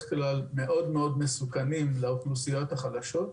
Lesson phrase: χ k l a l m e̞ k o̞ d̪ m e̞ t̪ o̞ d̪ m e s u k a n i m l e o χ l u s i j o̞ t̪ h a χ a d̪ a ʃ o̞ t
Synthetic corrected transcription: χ k l a l m e̞ ʔ o̞ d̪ m e̞ o̞ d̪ m e s u k a n i m l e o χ l u s i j o̞ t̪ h a χ a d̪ a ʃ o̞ t